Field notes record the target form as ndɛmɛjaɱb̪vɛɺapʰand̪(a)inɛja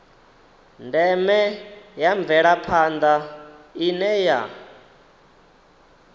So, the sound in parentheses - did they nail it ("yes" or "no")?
yes